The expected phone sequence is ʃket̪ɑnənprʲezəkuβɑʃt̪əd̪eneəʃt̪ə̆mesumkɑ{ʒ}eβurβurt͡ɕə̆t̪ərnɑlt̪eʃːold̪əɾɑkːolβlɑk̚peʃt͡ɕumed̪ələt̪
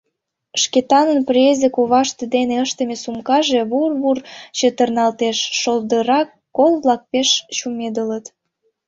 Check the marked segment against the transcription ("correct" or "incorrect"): correct